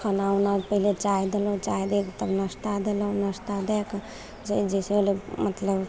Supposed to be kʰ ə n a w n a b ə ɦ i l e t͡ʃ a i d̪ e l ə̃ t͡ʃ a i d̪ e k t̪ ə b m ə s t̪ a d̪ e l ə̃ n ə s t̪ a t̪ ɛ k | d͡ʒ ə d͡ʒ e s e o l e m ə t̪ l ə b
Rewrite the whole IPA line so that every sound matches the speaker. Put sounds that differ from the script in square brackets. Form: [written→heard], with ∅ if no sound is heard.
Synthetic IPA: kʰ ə n a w n a [b→p] ə ɦ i l e t͡ʃ a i d̪ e l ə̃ t͡ʃ a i d̪ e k t̪ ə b [m→n] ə s t̪ a d̪ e l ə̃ n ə s t̪ a [t̪→d̪] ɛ k | d͡ʒ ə d͡ʒ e s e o l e m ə t̪ l ə b